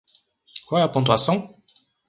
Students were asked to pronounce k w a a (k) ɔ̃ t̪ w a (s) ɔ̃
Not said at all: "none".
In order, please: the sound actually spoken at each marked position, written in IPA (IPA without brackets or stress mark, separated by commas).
p, s